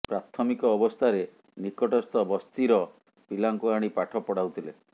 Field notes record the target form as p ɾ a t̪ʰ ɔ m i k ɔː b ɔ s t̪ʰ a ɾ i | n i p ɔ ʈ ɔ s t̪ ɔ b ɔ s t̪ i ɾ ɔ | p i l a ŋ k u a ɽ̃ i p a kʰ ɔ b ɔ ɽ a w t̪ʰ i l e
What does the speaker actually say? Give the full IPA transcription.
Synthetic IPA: p ɾ a t̪ʰ ɔ m i k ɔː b ɔ s t̪ʰ a ɾ e | n i k ɔ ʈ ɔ s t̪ ɔ b ɔ s t̪ i ɾ ɔ | p i l a ŋ k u a ɽ̃ i p a ʈʰ ɔ p ɔ ɽ a w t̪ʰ i l e